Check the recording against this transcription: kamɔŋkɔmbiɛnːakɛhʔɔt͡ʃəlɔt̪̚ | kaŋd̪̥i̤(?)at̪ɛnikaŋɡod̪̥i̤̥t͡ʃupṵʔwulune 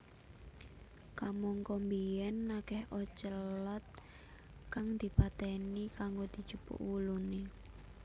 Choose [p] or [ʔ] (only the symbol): p